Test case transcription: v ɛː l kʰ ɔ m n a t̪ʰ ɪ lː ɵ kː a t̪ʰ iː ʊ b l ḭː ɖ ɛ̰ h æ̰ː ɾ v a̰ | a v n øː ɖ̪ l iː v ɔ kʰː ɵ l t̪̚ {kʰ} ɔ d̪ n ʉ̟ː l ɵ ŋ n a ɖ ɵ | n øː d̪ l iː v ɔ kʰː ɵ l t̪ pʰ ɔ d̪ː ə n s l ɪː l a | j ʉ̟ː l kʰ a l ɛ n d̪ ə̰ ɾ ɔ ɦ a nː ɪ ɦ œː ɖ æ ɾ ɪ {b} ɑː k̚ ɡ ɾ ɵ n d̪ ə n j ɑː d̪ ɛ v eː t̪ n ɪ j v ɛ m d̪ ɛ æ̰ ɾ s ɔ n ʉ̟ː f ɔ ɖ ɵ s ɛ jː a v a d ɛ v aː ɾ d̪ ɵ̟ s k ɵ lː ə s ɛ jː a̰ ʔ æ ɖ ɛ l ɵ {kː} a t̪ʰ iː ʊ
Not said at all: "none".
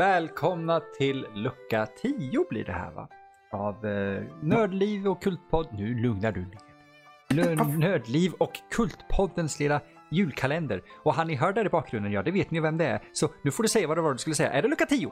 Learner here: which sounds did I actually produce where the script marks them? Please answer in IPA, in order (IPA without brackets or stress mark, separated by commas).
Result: pʰ, b, kː